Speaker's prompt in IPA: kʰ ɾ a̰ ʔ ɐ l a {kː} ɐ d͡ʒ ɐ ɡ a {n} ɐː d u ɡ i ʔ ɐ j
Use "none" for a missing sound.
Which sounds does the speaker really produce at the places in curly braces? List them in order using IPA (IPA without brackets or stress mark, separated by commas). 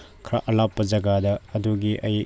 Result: pː, d